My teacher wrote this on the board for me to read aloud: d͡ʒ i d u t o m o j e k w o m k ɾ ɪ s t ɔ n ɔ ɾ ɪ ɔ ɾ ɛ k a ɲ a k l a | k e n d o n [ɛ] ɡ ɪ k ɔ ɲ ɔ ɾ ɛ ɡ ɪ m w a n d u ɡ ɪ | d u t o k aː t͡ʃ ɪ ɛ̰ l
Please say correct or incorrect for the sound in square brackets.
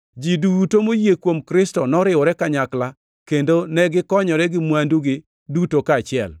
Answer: correct